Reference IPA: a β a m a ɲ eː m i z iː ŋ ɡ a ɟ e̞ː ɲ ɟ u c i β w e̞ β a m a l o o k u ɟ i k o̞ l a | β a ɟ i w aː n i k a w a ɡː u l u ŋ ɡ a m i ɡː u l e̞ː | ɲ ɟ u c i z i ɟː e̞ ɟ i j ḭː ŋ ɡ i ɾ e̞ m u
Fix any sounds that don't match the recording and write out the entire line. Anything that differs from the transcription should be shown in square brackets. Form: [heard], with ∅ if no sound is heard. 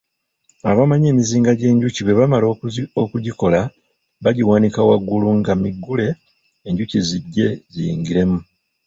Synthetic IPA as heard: a β a m a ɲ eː m i z iː ŋ ɡ a ɟ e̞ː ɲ ɟ u c i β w e̞ β a m a l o o k u ɟ i k o̞ l a | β a ɟ i w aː n i k a w a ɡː u l u ŋ ɡ a m i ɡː u l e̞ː | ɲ ɟ u c i z i ɟː e̞ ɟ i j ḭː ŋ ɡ i ɾ e̞ m u